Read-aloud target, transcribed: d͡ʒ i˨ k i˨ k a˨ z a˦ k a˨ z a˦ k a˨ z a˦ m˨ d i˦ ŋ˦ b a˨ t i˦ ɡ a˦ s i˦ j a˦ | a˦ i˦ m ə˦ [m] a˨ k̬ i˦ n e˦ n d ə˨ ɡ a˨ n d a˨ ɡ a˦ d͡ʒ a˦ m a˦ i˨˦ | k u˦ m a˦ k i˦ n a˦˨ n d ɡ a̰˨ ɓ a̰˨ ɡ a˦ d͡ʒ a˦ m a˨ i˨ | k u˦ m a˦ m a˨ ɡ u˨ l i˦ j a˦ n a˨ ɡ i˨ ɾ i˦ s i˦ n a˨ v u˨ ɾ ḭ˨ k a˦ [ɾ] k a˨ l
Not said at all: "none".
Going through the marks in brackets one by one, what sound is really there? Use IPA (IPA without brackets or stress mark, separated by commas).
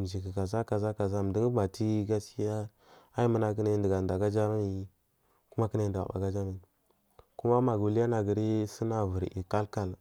n, l